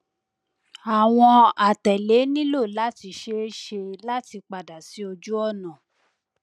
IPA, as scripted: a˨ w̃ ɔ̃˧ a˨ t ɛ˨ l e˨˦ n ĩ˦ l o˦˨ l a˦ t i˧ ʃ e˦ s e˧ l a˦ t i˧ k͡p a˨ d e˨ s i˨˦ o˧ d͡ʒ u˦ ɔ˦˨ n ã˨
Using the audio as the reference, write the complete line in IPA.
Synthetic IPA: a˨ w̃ ɔ̃˧ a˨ t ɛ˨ l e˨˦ n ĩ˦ l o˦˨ l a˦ t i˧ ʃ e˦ ʃ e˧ l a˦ t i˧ k͡p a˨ d a˨ s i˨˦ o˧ d͡ʒ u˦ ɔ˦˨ n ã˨